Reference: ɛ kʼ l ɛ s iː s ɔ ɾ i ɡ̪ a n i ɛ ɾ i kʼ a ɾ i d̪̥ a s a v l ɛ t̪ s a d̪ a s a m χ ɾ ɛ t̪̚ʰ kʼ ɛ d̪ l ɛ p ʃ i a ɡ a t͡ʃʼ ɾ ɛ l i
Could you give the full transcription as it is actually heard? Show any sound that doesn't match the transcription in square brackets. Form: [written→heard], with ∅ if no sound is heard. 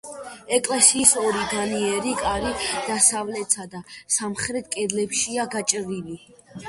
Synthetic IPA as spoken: ɛ kʼ l ɛ s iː s ɔ ɾ i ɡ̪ a n i ɛ ɾ i kʼ a ɾ i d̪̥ a s a v l ɛ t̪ s a d̪ a s a m χ ɾ ɛ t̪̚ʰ kʼ ɛ d̪ l ɛ p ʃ i a ɡ a t͡ʃʼ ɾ [ɛ→i] l i